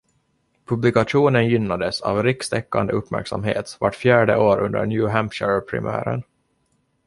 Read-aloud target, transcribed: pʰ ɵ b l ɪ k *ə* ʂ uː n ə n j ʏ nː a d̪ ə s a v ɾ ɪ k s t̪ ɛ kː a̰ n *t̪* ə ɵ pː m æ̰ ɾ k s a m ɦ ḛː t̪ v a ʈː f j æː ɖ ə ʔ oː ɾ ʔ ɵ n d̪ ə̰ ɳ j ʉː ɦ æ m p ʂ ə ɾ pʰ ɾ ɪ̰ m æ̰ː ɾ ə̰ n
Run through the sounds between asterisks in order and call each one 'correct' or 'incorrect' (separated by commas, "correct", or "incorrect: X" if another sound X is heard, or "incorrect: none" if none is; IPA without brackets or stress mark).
incorrect: a, incorrect: d̪